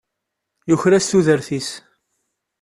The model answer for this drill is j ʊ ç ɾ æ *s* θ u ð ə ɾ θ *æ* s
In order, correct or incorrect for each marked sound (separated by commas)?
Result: correct, incorrect